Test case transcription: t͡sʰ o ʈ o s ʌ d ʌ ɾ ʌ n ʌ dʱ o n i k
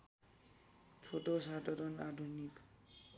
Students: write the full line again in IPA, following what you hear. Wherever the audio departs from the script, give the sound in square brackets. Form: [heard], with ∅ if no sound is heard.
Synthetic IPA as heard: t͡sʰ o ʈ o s [a] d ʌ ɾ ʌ n [a] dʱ [u] n i k